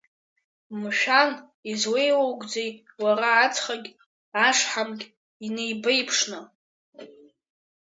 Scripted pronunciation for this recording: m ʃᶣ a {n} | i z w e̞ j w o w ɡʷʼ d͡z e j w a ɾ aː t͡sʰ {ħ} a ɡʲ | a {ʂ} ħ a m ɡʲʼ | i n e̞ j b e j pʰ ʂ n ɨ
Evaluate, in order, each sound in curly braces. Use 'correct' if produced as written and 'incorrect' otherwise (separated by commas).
correct, incorrect, correct